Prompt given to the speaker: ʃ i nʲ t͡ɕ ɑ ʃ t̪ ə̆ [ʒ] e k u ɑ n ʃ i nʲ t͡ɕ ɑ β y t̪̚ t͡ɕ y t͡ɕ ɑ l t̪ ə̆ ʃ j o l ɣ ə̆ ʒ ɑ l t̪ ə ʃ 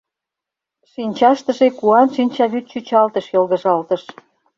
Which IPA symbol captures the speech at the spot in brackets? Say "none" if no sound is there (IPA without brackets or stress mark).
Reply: ʒ